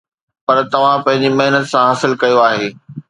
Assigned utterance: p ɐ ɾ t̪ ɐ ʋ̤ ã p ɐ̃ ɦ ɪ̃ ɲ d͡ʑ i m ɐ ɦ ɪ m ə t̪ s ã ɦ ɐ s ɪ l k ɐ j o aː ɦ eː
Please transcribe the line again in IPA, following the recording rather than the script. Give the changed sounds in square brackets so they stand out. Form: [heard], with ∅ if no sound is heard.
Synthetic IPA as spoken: p ɐ ɾ t̪ ɐ ʋ̤ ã p ɐ̃ ɦ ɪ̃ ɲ d͡ʑ i m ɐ ɦ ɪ [n] ə t̪ s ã ɦ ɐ s ɪ l k ɐ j o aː ɦ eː